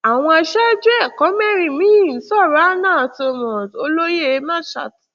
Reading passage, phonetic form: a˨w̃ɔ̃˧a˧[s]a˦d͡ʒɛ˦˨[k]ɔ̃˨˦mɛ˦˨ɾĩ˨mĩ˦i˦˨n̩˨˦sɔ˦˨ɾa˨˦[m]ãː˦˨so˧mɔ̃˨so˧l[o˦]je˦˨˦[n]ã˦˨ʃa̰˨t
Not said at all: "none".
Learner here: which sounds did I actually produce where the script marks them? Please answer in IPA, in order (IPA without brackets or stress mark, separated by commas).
ʃ, k, n, o˦, m